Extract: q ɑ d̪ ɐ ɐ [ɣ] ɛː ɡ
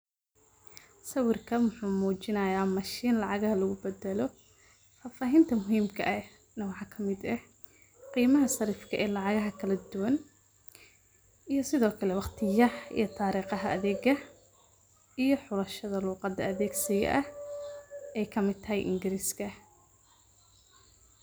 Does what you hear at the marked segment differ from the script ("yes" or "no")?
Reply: yes